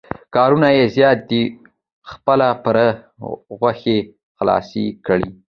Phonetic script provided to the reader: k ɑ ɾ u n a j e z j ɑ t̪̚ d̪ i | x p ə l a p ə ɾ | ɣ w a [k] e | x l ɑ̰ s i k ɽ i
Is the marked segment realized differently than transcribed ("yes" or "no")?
yes